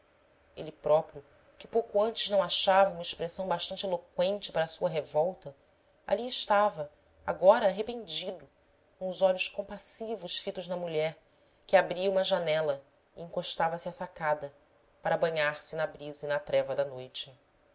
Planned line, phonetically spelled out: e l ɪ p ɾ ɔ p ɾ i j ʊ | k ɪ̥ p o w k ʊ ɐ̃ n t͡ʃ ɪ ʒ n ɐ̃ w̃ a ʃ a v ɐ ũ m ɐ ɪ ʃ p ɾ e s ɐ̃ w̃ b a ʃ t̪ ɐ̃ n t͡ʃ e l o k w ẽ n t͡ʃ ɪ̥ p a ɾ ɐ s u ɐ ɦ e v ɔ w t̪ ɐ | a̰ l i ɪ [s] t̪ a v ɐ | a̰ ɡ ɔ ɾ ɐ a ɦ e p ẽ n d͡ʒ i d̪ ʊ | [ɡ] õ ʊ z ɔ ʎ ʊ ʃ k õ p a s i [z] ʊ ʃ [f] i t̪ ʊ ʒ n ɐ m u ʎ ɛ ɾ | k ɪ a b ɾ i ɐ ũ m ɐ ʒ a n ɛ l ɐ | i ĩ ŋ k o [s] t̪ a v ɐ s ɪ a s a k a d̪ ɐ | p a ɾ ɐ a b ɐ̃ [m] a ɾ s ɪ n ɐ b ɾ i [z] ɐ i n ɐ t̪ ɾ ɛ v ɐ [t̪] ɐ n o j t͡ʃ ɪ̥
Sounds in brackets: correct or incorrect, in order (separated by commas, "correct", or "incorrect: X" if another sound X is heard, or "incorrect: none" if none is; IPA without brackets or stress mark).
incorrect: ʃ, incorrect: k, incorrect: v, correct, incorrect: ʃ, incorrect: ɲ, correct, incorrect: d̪